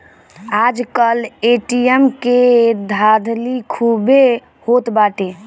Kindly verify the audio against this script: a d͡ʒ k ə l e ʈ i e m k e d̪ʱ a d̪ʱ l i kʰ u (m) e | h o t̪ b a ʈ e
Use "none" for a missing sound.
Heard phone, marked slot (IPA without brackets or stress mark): b